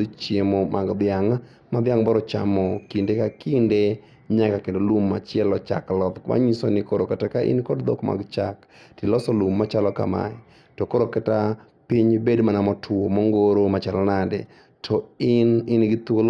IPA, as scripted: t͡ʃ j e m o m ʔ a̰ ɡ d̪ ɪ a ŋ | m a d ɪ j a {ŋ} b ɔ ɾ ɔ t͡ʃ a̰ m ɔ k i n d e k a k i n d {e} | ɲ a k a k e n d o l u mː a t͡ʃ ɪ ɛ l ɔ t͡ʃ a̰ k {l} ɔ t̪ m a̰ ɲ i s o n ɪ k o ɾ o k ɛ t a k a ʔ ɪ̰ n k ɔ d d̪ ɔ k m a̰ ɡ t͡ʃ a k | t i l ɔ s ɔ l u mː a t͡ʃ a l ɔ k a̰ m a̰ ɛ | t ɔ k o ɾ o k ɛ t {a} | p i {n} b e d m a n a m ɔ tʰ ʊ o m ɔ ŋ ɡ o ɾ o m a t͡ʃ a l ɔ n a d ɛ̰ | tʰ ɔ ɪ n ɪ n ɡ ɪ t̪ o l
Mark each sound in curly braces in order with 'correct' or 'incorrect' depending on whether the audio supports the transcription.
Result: correct, correct, correct, correct, incorrect

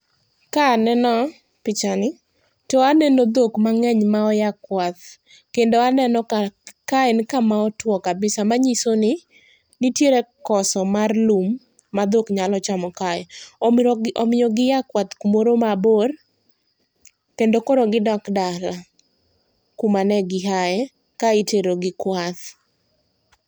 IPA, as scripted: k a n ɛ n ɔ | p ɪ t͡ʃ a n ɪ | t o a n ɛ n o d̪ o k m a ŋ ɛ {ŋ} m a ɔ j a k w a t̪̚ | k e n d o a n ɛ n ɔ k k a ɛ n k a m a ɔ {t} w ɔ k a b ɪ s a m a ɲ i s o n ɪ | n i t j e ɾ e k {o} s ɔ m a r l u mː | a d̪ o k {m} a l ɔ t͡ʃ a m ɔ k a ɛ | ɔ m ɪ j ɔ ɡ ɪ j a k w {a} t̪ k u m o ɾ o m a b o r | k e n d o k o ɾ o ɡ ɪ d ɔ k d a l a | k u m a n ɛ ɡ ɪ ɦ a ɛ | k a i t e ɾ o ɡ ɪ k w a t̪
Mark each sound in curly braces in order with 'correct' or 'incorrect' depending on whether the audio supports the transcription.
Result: incorrect, correct, incorrect, incorrect, correct

